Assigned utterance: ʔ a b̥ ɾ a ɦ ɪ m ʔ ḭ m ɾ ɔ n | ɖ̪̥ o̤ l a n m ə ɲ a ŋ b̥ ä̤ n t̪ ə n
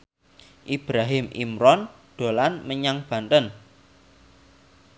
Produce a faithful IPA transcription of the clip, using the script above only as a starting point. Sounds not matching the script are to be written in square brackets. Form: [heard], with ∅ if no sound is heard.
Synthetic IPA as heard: ʔ [i] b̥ ɾ a ɦ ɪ m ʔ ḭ m ɾ ɔ n | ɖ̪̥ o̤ l a n m ə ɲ a ŋ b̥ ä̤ n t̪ ə n

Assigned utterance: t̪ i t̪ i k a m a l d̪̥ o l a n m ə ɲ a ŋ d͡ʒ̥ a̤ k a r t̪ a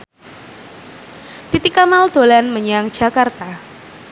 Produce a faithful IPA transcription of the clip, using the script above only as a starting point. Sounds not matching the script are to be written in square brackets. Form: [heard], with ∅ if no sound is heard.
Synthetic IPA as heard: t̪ i t̪ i k a m a l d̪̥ o l a n m ə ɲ a ŋ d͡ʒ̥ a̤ k a r t̪ a

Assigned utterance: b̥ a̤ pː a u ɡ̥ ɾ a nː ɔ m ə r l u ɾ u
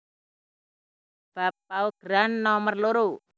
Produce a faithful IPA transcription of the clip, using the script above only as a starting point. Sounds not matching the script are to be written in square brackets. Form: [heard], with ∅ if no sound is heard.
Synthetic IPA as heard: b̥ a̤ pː a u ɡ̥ ɾ a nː ɔ m ə r l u ɾ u

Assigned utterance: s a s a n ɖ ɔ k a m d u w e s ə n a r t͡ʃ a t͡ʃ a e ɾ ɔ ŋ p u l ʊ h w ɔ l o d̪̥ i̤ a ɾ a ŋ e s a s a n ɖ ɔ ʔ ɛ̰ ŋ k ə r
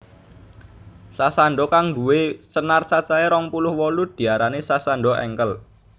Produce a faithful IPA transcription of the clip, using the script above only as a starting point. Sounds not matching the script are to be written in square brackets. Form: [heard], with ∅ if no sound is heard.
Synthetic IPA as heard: s a s a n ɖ ɔ k a [ŋ] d u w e s ə n a r t͡ʃ a t͡ʃ a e ɾ ɔ ŋ p u l ʊ h w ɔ l [u] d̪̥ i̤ a ɾ a [n] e s a s a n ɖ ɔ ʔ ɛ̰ ŋ k ə [l]

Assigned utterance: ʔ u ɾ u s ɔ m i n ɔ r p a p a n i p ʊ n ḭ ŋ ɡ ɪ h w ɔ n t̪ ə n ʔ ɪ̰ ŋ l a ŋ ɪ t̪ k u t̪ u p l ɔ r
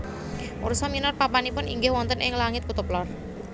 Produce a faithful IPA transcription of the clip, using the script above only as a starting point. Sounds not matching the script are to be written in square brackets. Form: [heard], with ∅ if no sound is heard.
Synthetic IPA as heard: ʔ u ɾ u s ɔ m i n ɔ r p a p a n i p ʊ n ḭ ŋ ɡ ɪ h w ɔ n t̪ ə n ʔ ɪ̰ ŋ l a ŋ ɪ t̪ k u t̪ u p l ɔ r

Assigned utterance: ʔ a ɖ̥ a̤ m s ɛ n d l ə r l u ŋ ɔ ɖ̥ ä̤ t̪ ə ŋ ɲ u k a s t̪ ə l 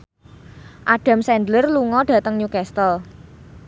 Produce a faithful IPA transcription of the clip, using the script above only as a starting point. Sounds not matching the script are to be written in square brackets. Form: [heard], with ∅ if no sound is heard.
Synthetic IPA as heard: ʔ a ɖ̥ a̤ m s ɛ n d l ə r l u ŋ ɔ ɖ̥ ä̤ t̪ ə ŋ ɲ u k [ɛ] s t̪ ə l

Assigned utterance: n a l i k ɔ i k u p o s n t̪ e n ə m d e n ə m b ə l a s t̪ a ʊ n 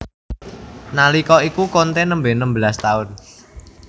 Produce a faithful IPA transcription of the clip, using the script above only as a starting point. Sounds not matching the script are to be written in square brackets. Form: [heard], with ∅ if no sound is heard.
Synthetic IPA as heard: n a l i k ɔ i k u [k] o [∅] n t̪ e n ə m [b] e n ə m b ə l a s t̪ a ʊ n

